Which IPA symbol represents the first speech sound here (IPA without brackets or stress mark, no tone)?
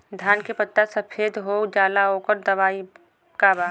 d̪ʱ